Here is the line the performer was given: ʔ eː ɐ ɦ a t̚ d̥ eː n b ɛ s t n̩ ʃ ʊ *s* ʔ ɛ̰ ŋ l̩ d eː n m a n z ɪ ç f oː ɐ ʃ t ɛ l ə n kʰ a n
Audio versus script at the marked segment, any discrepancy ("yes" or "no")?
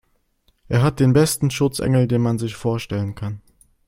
yes